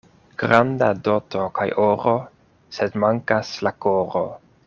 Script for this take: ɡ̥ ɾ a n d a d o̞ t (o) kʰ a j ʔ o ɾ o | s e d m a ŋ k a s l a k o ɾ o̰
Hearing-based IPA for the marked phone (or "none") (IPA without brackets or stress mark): o